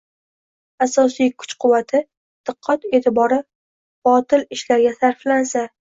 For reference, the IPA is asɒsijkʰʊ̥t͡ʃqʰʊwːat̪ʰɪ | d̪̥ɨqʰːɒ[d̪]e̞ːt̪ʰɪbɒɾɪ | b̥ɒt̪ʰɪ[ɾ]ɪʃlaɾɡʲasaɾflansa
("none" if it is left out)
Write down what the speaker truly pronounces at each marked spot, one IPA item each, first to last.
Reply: t̪, l

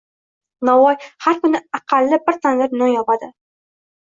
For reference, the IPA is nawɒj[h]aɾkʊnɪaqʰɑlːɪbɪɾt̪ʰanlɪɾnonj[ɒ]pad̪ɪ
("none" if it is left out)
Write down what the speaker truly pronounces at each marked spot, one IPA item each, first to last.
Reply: h, ɒ

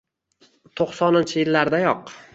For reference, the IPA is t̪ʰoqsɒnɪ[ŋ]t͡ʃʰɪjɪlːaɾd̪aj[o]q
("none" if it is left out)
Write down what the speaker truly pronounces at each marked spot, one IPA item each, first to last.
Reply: n, ɒ

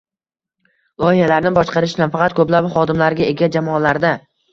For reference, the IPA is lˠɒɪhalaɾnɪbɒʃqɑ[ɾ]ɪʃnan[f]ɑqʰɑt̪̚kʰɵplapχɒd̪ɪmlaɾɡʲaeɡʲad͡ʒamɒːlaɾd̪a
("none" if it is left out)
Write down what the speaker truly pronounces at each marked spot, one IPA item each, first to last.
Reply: ɾ, f

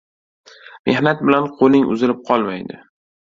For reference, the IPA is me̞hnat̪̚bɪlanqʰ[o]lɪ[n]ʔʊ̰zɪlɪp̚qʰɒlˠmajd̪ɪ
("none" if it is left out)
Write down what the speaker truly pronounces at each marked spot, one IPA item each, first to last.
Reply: o, ŋ

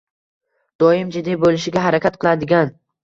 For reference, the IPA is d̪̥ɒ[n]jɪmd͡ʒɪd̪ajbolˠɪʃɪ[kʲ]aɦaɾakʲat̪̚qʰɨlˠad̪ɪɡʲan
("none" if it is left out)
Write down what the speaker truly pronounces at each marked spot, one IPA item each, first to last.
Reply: none, ɡʲ

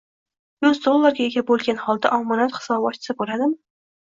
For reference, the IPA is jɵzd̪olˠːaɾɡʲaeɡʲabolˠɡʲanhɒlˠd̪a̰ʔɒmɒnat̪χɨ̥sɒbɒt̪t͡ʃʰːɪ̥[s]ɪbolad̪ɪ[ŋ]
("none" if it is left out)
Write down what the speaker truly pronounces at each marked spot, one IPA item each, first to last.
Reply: s, m

